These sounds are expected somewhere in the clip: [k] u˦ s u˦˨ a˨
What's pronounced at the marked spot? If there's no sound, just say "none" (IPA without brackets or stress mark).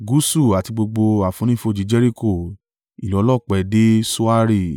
ɡ